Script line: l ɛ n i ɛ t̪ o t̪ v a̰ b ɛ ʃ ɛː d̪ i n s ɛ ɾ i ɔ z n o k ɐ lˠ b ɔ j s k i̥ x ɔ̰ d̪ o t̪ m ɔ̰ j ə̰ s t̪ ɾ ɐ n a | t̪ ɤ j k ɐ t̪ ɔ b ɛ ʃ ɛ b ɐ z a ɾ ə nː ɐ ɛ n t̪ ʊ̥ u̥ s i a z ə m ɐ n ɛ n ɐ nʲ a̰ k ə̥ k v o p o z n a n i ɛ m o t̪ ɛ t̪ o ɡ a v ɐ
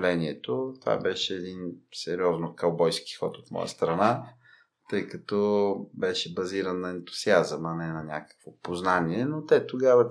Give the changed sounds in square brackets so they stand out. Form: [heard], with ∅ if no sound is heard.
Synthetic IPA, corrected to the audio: l ɛ n i ɛ t̪ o t̪ v a̰ b ɛ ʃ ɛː d̪ i n s ɛ ɾ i ɔ z n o k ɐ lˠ b ɔ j s k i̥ x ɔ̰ [t̪] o t̪ m ɔ̰ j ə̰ s t̪ ɾ ɐ n a | t̪ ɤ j k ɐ t̪ ɔ b ɛ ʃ ɛ b ɐ z [i] ɾ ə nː ɐ ɛ n t̪ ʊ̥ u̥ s i a z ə m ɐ n ɛ n ɐ nʲ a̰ k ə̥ k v o p o z n a n i ɛ [n] o t̪ ɛ t̪ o ɡ a v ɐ